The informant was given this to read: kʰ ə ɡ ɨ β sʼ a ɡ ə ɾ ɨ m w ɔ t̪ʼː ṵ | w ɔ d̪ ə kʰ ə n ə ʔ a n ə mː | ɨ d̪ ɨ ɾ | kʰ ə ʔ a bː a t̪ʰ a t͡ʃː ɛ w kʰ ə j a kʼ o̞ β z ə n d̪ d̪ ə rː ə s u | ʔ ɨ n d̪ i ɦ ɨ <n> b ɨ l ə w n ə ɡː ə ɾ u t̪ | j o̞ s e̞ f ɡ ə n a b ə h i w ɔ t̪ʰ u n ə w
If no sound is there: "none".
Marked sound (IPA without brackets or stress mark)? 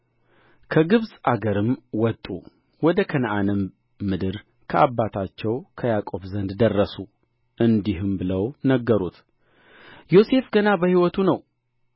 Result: m